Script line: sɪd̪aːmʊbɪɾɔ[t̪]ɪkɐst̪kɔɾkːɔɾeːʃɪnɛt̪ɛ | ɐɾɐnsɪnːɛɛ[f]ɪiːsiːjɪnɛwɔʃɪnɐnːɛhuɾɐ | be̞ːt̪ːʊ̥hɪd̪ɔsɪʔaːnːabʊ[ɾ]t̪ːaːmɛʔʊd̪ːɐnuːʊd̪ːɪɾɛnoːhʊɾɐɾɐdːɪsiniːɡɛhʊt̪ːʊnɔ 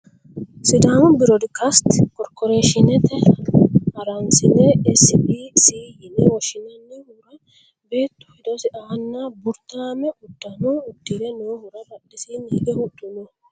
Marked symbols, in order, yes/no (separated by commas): no, no, yes